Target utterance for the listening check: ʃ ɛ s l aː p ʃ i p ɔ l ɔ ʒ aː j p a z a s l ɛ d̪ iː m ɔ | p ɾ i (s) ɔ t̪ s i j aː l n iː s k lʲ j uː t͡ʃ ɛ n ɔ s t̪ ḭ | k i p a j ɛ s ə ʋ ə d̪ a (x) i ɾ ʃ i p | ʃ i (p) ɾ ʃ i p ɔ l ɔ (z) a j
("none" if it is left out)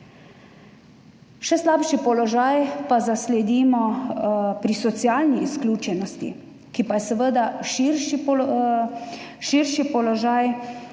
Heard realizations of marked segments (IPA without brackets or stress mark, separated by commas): s, ʃ, none, ʒ